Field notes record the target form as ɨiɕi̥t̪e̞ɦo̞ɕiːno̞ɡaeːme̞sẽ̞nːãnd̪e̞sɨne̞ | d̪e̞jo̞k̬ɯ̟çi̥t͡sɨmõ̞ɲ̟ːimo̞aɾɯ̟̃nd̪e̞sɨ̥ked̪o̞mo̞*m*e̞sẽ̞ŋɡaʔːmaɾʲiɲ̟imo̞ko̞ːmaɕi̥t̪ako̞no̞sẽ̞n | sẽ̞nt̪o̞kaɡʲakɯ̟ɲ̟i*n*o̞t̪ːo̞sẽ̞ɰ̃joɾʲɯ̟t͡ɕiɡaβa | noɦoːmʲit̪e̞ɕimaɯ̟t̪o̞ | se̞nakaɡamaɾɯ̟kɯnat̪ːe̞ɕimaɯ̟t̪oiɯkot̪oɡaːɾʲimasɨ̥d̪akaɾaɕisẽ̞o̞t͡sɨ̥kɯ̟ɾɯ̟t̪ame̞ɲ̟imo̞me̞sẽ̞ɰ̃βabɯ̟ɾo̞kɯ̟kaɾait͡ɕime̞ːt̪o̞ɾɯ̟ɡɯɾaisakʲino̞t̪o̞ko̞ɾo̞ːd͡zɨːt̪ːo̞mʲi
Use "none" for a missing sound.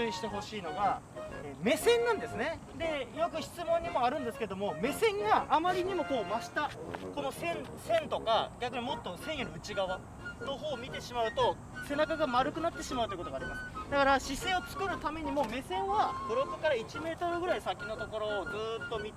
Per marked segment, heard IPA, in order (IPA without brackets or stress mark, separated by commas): m, m